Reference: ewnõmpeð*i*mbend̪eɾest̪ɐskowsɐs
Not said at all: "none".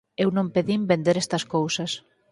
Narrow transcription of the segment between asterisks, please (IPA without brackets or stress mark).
i